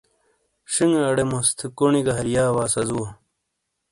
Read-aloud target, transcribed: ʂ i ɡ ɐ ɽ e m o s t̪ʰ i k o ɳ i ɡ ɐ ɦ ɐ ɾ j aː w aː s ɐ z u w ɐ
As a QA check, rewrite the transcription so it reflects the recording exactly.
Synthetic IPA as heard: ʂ i ŋ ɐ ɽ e m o s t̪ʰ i k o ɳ i ɡ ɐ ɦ ɐ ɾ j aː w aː s ɐ z u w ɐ

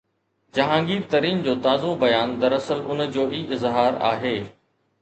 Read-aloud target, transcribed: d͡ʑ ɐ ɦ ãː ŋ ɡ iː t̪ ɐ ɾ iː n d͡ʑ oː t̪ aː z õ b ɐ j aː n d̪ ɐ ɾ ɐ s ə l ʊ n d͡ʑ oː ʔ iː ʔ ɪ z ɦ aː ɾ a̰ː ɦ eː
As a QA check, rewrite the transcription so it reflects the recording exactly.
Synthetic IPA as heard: d͡ʑ ɐ ɦ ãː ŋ ɡ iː t̪ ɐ ɾ iː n d͡ʑ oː t̪ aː z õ b ɐ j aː n d̪ ɐ ɾ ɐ s ə l ʊ n d͡ʑ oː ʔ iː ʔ ɪ z ɦ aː ɾ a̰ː ɦ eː

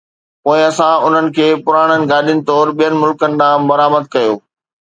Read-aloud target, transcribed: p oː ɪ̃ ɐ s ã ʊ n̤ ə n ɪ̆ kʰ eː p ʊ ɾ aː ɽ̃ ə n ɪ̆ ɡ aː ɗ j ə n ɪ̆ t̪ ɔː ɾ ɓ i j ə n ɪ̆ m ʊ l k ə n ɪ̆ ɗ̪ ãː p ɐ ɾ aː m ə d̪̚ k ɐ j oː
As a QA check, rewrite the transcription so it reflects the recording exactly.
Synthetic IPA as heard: p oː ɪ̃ ɐ s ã ʊ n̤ ə n ɪ̆ kʰ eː p ʊ ɾ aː ɽ̃ ə n ɪ̆ ɡ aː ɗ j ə n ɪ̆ t̪ ɔː ɾ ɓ i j ə n ɪ̆ m ʊ l k ə n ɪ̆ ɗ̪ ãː b ɐ ɾ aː m ə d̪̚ k ɐ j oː

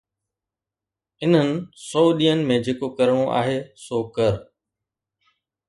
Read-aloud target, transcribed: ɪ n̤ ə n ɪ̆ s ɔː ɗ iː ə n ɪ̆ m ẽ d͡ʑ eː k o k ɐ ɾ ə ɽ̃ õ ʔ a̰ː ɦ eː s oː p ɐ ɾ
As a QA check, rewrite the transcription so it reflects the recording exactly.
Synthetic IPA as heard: ɪ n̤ ə n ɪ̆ s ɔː ɗ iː ə n ɪ̆ m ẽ d͡ʑ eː k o k ɐ ɾ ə ɽ̃ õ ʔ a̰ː ɦ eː s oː k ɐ ɾ

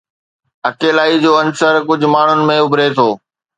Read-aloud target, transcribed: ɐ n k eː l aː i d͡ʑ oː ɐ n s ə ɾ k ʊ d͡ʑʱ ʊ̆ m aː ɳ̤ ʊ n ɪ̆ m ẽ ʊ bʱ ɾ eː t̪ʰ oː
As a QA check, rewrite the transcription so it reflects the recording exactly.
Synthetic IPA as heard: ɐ k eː l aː i d͡ʑ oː ɐ n s ə ɾ k ʊ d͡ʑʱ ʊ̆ m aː ɳ̤ ʊ n ɪ̆ m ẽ ʊ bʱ ɾ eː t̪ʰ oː

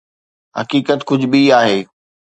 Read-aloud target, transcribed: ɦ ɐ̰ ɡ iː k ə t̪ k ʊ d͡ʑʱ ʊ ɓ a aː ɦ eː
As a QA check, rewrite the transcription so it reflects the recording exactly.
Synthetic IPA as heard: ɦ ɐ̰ k iː k ə t̪ k ʊ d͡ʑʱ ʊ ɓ i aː ɦ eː

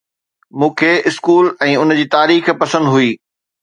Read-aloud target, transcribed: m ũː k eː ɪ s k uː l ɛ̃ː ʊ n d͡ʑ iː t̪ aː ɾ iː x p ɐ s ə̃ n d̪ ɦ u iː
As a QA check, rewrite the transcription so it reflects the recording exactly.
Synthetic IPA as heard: m ũː kʰ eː ɪ s k uː l ɛ̃ː ʊ n d͡ʑ iː t̪ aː ɾ iː x p ɐ s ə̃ n d̪ ɦ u iː

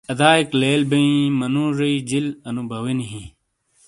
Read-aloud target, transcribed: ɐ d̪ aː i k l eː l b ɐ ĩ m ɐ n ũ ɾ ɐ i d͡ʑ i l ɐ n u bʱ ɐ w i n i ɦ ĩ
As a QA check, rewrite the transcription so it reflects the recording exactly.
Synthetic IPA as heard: ɐ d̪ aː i k l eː l b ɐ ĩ m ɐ n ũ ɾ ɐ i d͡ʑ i l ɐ n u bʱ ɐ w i n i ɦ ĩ

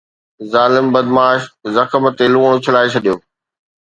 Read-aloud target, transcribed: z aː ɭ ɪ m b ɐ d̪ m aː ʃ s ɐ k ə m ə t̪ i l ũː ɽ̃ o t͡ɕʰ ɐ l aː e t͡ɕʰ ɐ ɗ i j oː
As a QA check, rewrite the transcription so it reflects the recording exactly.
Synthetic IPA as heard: z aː l ɪ m b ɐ d̪ m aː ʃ z ɐ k ə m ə t̪ e l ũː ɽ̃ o t͡ɕʰ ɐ l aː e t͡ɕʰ ɐ ɗ i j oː

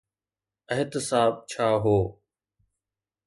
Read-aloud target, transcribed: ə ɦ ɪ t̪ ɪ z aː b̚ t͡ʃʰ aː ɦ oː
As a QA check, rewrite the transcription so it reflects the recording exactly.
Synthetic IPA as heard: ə ɦ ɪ t̪ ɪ s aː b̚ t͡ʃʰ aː ɦ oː

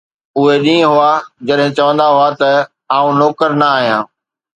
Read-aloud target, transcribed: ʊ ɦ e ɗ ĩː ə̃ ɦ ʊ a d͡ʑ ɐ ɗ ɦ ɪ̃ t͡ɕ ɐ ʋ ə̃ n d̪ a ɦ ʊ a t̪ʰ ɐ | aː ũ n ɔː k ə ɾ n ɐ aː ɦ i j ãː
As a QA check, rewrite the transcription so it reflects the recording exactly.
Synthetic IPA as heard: ʊ ɦ e ɗ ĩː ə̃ ɦ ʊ a d͡ʑ ɐ ɗ ɦ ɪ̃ t͡ɕ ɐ ʋ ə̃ n d̪ a ɦ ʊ a t̪ ɐ | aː ũ n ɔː k ə ɾ n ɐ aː ɦ i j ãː

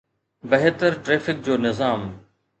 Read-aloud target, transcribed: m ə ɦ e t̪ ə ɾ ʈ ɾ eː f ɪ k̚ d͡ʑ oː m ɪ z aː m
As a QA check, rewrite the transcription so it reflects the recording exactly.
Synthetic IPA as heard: b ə ɦ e t̪ ə ɾ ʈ ɾ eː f ɪ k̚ d͡ʑ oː n ɪ z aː m

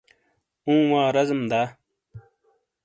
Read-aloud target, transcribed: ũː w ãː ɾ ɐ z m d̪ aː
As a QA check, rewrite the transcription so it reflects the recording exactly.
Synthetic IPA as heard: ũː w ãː ɾ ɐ z m d̪ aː

